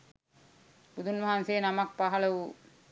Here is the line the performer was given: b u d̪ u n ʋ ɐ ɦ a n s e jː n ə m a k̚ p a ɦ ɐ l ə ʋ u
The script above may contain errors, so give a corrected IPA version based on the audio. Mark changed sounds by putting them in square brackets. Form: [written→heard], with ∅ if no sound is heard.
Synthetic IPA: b u d̪ u n ʋ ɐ ɦ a n s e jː n [ə→a] m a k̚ p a ɦ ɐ l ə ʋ u